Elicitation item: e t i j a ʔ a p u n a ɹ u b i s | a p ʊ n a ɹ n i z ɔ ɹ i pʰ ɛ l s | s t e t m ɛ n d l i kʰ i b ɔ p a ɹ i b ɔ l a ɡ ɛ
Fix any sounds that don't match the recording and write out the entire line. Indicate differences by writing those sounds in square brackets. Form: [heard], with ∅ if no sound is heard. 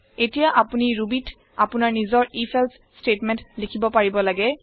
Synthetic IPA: e t i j a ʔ a p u n [i] ɹ u b i [t] | a p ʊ n a ɹ n i z ɔ ɹ i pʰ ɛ l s | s t e t m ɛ n [t] l i kʰ i b ɔ p a ɹ i b ɔ l a ɡ ɛ